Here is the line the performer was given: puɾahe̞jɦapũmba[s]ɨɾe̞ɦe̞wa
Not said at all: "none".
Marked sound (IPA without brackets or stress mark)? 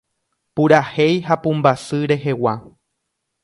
s